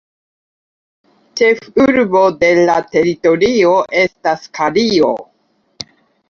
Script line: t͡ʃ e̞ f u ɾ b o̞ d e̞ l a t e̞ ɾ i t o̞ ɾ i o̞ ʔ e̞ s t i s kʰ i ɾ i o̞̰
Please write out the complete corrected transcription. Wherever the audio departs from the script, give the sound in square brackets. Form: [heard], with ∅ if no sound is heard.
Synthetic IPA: t͡ʃ e̞ f u ɾ b o̞ d e̞ l a t e̞ ɾ i t o̞ ɾ i o̞ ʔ e̞ s t [a] s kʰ [a] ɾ i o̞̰